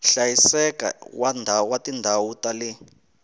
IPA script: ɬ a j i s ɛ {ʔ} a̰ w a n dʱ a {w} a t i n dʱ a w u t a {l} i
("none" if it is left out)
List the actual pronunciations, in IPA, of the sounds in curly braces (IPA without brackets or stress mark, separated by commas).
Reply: k, w, l